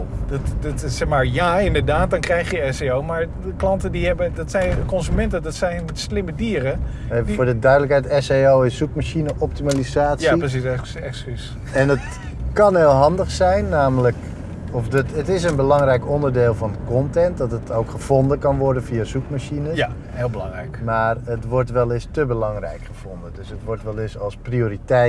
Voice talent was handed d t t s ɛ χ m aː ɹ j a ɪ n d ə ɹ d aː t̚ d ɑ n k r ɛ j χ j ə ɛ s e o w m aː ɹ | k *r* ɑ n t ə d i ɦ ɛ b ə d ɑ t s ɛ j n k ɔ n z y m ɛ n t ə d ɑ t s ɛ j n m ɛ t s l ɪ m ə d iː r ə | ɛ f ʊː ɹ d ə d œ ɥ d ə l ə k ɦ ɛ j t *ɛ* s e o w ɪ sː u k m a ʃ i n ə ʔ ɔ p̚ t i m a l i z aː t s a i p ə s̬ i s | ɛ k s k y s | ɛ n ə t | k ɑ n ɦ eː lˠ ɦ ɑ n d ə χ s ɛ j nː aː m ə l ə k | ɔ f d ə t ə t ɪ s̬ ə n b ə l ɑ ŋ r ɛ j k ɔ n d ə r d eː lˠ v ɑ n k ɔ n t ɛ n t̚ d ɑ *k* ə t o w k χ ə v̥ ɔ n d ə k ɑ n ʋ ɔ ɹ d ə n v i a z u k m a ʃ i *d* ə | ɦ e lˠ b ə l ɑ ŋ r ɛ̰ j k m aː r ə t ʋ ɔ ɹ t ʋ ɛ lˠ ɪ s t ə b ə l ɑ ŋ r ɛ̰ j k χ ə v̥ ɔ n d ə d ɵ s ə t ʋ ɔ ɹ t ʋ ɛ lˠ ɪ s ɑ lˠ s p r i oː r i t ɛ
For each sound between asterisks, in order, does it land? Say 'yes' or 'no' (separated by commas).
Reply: no, yes, no, no